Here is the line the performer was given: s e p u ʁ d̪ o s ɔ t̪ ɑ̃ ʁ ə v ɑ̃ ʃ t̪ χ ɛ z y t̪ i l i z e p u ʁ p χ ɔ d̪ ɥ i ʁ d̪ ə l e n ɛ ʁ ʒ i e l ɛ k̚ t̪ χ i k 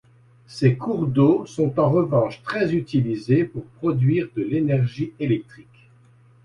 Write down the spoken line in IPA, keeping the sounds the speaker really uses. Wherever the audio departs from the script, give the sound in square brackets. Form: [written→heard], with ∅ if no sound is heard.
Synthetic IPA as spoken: s e [p→k] u ʁ d̪ o s [ɔ→ɔ̃] t̪ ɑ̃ ʁ ə v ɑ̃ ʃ t̪ χ ɛ z y t̪ i l i z e p u ʁ p χ ɔ d̪ ɥ i ʁ d̪ ə l e n ɛ ʁ ʒ i e l ɛ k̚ t̪ χ i k